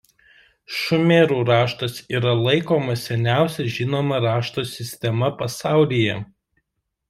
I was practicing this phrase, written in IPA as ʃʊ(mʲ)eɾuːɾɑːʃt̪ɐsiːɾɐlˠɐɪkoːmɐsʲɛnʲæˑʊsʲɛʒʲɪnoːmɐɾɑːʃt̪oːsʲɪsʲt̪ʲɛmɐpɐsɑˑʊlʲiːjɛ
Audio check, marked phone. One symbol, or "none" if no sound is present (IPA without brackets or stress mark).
mʲ